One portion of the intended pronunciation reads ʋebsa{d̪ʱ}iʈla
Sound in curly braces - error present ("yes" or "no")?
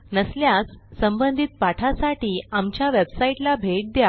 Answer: yes